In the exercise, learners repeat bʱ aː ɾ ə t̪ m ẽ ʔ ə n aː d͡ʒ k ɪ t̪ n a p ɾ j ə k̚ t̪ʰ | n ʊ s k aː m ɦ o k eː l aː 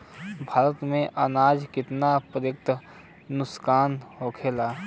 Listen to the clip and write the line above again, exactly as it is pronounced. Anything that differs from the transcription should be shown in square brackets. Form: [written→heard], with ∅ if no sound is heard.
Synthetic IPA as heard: bʱ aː ɾ ə t̪ m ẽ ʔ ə n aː d͡ʒ k ɪ t̪ n a p ɾ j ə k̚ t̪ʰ | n ʊ s k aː [m→n] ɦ o [k→kʰ] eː l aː